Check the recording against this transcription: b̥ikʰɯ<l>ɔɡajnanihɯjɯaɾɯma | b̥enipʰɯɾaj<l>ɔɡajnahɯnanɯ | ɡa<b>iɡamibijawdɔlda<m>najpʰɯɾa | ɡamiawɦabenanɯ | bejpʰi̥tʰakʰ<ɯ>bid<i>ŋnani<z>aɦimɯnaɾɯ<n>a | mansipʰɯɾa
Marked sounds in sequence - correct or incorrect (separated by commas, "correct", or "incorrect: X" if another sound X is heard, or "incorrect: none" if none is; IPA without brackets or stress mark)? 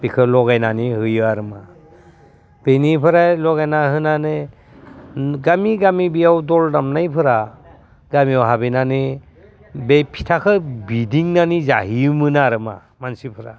correct, correct, incorrect: m, correct, correct, correct, correct, incorrect: m